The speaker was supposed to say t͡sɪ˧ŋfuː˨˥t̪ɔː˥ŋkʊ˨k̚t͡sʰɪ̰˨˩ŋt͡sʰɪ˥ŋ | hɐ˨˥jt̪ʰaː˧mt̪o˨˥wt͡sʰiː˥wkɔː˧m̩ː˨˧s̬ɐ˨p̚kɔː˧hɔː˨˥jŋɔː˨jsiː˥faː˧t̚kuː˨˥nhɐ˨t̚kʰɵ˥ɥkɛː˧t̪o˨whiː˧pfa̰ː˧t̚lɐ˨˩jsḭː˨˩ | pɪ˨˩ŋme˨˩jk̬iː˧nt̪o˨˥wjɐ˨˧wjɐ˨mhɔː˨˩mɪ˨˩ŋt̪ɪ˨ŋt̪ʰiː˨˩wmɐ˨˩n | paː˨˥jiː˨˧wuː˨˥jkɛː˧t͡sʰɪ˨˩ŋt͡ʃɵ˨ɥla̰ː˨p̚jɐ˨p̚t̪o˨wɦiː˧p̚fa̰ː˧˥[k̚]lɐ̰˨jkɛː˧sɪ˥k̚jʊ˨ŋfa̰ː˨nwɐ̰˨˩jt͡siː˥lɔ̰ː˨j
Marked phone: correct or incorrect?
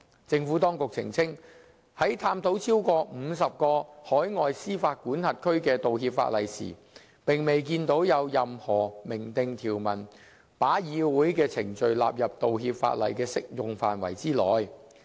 incorrect